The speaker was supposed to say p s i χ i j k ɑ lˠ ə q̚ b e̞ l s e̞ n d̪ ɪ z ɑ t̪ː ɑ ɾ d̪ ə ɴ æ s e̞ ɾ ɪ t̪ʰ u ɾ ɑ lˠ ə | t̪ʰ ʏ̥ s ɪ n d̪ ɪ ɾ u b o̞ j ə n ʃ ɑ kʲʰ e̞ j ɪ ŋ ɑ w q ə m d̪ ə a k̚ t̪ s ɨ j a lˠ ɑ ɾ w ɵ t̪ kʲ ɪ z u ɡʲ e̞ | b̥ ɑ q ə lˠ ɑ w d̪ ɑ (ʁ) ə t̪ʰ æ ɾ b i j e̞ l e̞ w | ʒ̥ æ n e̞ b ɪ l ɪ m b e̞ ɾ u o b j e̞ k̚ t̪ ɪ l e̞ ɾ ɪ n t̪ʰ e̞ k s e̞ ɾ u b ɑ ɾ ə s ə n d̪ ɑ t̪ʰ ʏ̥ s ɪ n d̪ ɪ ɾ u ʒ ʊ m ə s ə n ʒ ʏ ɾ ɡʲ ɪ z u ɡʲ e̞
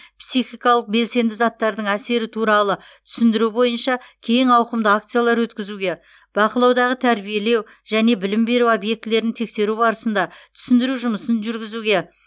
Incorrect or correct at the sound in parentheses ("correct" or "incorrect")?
correct